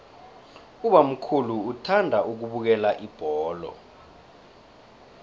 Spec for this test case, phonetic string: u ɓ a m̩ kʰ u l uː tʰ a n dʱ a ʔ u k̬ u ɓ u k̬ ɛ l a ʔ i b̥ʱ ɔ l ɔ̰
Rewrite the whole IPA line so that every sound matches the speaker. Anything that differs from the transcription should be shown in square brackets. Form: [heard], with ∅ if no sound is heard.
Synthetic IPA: u ɓ a m̩ kʰ u l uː tʰ a n dʱ a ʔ u k̬ u ɓ u k̬ ɛ l a ʔ i b̥ʱ [ɔː] l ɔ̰